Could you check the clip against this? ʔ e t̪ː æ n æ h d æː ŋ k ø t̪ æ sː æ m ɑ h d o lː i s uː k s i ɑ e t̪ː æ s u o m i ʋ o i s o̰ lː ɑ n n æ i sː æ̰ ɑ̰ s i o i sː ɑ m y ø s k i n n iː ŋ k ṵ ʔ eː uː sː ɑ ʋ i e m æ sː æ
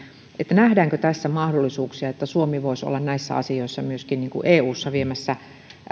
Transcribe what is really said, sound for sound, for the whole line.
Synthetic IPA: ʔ e t̪ː æ n æ h d æː ŋ k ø t̪ æ sː æ m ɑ h d o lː i s uː k s i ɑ e t̪ː æ s u o m i ʋ o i s o̰ lː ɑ n n æ i sː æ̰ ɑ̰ s i o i sː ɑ m y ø s k i n n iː ŋ k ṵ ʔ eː uː sː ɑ ʋ i e m æ sː æ

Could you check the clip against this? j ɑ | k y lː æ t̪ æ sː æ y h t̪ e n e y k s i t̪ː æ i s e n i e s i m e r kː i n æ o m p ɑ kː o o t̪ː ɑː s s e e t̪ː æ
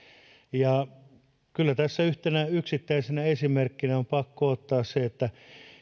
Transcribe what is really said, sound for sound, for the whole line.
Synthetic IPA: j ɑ | k y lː æ t̪ æ sː æ y h t̪ e n æ y k s i t̪ː æ i s e n æ e s i m e r kː i n æ o m p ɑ kː o o t̪ː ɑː s s e e t̪ː æ

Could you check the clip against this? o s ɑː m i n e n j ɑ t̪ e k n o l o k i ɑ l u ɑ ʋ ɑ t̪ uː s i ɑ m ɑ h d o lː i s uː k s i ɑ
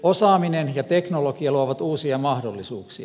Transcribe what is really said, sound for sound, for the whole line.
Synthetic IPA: o s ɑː m i n e n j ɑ t̪ e k n o l o k i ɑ l u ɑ ʋ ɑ t̪ uː s i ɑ m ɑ h d o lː i s uː k s i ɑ

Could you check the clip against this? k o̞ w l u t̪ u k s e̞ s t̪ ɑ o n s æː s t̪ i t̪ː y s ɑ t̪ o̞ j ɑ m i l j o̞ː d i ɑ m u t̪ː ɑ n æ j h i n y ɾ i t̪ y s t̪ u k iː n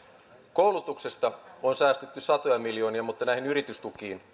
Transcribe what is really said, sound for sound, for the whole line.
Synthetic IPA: k o̞ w l u t̪ u k s e̞ s t̪ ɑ o n s æː s t̪ e t̪ː y s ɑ t̪ o̞ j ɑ m i l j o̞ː n i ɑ m u t̪ː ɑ n æ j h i n y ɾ i t̪ y s t̪ u k iː n

